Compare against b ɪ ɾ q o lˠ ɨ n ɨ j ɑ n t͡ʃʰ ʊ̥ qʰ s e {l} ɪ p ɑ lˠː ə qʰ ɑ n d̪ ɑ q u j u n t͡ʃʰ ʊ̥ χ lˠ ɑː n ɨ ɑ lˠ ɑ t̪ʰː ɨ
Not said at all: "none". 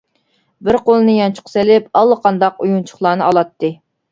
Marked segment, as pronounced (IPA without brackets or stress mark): l